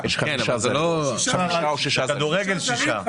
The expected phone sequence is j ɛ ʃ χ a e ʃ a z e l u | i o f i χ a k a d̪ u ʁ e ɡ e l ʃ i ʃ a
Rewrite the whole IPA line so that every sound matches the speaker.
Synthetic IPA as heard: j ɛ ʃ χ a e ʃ a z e l o | a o ʃ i ʃ a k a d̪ u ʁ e ɡ e l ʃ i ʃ a